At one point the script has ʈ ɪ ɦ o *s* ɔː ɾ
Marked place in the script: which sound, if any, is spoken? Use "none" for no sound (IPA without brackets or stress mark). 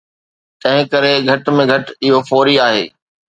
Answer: f